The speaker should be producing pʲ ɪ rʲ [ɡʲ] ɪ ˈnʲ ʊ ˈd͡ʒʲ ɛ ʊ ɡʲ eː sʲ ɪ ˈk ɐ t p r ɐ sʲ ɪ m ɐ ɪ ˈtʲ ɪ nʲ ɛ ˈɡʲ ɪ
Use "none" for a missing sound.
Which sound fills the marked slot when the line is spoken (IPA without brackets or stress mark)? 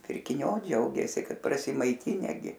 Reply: kʲ